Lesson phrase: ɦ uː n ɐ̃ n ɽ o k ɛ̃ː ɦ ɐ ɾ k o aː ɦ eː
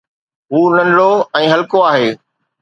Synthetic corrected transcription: ɦ uː n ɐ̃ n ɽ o ɛ̃ː ɦ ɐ l k o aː ɦ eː